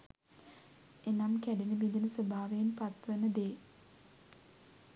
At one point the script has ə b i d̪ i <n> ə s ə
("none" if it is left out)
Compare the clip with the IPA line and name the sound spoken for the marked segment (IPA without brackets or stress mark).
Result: n